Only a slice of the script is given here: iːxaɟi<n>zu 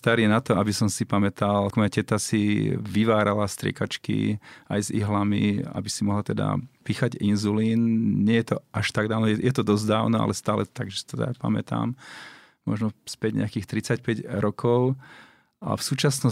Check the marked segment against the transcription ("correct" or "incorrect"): correct